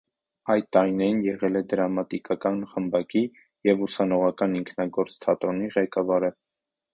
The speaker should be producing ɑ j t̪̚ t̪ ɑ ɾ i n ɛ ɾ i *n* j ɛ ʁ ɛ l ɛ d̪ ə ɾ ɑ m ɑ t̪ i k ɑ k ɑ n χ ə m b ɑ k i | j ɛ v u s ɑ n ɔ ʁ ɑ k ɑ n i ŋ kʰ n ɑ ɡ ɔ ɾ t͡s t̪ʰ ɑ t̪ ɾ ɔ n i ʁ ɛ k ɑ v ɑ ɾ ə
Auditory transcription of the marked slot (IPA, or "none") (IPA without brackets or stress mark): n